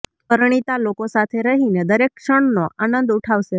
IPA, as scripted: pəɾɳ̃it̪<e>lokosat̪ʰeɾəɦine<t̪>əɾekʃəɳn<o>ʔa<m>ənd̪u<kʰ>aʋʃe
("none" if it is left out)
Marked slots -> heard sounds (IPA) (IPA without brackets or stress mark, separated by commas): a, d̪, o, n, ʈʰ